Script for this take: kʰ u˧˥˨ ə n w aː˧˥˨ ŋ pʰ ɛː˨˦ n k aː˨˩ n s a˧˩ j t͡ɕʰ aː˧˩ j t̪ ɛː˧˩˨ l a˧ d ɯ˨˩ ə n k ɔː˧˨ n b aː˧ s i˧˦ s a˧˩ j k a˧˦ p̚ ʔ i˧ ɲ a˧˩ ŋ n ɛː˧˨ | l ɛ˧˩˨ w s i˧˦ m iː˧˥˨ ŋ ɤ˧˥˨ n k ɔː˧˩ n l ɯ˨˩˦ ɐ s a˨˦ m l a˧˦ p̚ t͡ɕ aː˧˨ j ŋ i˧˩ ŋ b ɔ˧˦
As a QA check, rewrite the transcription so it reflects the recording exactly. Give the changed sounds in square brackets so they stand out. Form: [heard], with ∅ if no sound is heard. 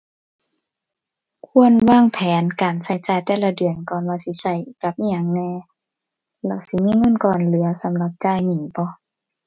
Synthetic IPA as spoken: kʰ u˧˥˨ ə n w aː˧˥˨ ŋ pʰ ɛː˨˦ n k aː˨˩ n s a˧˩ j [t͡ɕ] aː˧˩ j t̪ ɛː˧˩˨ l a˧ d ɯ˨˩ ə n k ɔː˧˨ n [w] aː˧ s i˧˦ s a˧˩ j k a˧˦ p̚ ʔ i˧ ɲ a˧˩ ŋ n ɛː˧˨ | l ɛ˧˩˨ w s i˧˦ m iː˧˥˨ ŋ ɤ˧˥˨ n k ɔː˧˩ n l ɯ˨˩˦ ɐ s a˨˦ m l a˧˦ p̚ t͡ɕ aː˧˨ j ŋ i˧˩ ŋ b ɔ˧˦